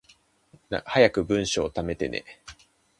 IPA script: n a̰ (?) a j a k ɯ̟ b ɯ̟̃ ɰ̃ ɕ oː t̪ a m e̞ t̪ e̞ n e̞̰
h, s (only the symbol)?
h